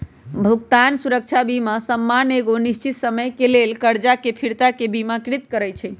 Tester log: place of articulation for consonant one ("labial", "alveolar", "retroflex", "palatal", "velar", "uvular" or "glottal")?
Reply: labial